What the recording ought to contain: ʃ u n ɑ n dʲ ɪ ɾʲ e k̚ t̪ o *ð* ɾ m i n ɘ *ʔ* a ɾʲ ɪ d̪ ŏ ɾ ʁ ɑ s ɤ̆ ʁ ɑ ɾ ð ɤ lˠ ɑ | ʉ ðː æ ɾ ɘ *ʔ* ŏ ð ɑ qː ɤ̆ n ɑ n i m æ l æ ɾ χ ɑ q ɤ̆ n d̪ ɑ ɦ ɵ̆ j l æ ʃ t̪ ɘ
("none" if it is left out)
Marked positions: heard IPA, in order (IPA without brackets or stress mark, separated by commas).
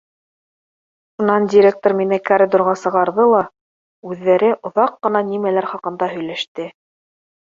none, k, ʔ